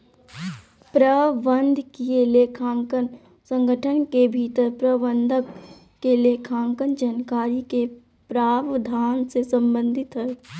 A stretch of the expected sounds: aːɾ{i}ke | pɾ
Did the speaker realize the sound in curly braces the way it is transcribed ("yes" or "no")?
yes